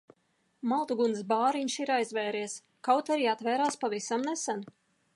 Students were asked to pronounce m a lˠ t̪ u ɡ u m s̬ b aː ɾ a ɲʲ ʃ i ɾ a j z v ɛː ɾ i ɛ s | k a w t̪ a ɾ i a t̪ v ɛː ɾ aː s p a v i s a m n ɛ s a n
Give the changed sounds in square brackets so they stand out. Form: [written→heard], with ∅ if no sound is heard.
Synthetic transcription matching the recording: m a lˠ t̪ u ɡ u [m→n] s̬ b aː ɾ [a→i] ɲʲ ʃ i ɾ a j z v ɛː ɾ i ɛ s | k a w t̪ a ɾ i a t̪ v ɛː ɾ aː s p a v i s a m n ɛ s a n